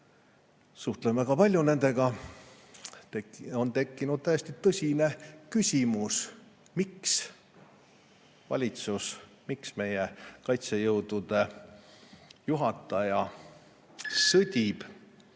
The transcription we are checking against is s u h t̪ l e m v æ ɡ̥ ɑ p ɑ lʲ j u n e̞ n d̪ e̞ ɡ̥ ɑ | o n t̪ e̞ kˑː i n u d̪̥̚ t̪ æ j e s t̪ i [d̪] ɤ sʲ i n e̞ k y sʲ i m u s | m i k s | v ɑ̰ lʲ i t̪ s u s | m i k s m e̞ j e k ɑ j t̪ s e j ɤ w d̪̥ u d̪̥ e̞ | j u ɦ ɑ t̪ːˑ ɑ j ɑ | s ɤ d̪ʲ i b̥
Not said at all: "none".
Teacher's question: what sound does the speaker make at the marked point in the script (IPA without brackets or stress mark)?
t̪